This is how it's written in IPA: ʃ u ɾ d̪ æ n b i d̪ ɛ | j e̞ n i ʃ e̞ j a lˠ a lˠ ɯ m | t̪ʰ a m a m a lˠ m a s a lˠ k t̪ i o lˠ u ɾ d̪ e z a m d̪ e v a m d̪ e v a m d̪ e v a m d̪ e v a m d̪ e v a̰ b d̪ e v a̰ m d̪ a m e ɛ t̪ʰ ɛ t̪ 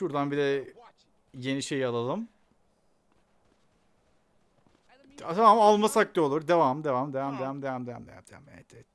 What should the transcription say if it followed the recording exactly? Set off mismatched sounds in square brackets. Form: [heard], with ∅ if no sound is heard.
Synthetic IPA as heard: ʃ u ɾ d̪ [a] n b i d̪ ɛ | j e̞ n i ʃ e̞ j a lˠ a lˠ ɯ m | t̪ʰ a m a m a lˠ m a s a [∅] k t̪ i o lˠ u ɾ d̪ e [v] a m d̪ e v a m d̪ e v a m d̪ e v a m d̪ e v a m d̪ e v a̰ [m] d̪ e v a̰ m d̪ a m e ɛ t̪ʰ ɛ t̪